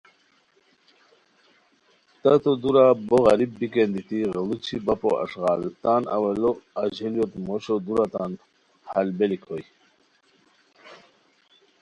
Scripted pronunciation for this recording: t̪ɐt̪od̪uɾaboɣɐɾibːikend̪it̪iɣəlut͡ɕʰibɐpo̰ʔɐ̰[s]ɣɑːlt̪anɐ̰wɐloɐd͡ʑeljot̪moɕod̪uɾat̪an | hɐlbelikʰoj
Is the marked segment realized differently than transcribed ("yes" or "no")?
yes